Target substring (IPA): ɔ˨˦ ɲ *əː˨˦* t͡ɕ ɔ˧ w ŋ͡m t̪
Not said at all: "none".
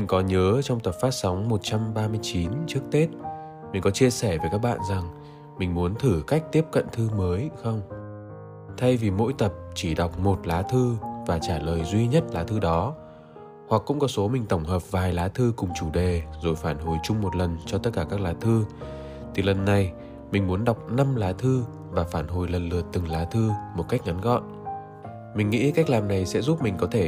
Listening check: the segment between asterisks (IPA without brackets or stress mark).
əː˨˦